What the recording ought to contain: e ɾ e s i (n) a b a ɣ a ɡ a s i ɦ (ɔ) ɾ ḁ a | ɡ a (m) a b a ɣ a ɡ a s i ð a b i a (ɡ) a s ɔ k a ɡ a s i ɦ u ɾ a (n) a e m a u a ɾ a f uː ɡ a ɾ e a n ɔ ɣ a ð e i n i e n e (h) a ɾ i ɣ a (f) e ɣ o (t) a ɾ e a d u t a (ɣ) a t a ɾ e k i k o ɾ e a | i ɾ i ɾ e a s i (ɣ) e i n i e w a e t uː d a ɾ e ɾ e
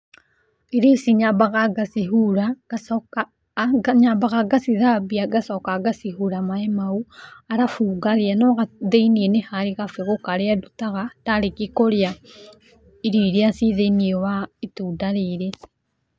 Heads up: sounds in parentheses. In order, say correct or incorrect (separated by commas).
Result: incorrect, incorrect, incorrect, correct, incorrect, correct, correct, incorrect, correct, incorrect